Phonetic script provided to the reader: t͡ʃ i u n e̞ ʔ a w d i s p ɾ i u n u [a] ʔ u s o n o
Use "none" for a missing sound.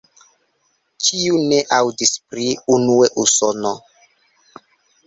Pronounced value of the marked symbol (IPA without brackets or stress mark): e